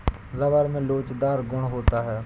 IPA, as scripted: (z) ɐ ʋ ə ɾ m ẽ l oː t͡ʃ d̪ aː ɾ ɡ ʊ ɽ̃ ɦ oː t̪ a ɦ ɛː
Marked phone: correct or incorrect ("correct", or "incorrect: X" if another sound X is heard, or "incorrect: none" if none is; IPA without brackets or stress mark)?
correct